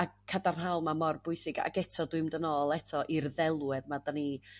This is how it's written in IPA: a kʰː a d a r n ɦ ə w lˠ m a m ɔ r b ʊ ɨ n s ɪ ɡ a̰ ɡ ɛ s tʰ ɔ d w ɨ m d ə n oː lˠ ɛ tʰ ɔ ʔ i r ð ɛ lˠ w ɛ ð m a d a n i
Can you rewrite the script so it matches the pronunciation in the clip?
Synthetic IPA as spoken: a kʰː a d a r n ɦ a w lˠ m a m ɔ r b ʊ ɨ s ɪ ɡ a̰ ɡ ɛ tʰ ɔ d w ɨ m d ə n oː lˠ ɛ tʰ ɔ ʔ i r ð ɛ lˠ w ɛ ð m a d a n i